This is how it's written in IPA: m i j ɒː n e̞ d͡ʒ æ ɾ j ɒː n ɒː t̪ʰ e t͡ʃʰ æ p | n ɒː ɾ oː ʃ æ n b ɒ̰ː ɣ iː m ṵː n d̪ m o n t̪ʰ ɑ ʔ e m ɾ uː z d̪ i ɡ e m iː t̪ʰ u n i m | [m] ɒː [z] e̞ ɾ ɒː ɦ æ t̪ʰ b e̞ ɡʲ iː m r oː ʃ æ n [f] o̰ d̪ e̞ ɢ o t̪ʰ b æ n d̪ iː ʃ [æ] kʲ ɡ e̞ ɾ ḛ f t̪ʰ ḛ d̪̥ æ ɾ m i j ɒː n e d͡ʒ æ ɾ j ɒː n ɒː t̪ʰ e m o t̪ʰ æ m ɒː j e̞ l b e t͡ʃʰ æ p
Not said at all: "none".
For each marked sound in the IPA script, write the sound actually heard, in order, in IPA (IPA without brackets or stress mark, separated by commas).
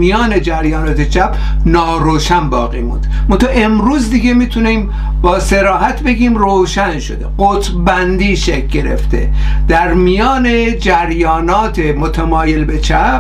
b, s, ʃ, e